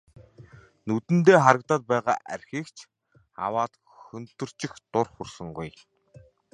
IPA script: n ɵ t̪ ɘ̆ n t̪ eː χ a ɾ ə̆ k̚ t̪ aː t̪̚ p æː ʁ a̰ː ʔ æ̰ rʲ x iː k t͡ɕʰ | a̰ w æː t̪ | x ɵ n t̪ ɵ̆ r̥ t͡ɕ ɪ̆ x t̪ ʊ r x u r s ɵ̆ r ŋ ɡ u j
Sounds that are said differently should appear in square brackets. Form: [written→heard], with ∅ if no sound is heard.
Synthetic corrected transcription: n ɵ t̪ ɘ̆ n t̪ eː χ a ɾ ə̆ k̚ t̪ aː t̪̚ p æː ʁ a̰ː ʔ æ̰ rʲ x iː k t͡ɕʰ | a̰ w [æː→aː] t̪ | x ɵ n t̪ ɵ̆ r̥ t͡ɕ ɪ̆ x t̪ ʊ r [x→χ] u r s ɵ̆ [r→∅] ŋ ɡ u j